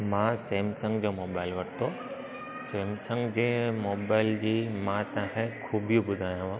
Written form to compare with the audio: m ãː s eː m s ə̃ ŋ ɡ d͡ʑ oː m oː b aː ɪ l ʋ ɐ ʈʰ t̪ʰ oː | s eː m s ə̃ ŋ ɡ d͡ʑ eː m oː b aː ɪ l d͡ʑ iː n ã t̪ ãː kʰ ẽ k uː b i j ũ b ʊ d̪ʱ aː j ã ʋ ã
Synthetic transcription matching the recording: m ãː s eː m s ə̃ ŋ ɡ d͡ʑ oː m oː b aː ɪ l ʋ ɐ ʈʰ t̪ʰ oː | s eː m s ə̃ ŋ ɡ d͡ʑ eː m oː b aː ɪ l d͡ʑ iː m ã t̪ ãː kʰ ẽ kʰ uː b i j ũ b ʊ d̪ʱ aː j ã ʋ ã